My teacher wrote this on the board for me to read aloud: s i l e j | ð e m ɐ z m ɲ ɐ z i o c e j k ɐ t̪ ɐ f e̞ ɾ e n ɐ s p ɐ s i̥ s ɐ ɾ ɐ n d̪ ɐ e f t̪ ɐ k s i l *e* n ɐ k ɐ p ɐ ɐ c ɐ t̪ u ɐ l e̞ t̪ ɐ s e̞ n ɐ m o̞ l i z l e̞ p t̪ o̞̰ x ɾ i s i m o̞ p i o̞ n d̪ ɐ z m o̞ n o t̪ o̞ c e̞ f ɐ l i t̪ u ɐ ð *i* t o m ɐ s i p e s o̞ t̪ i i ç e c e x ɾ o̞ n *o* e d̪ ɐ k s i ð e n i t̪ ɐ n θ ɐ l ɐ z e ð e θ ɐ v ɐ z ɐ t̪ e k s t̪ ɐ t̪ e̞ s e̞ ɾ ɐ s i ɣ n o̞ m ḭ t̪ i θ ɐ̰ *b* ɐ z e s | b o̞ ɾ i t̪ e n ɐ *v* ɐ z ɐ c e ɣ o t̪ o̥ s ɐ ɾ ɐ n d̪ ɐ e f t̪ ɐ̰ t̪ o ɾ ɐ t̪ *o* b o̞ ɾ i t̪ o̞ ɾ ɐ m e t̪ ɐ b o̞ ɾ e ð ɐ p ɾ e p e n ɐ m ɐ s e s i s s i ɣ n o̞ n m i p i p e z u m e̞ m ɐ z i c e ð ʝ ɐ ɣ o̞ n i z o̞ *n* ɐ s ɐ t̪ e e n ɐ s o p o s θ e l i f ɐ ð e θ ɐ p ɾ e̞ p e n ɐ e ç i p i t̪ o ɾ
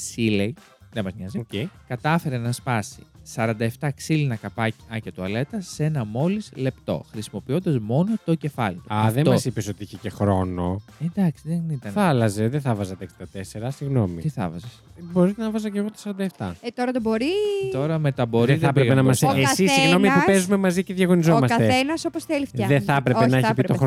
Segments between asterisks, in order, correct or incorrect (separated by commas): incorrect, incorrect, correct, incorrect, correct, correct, incorrect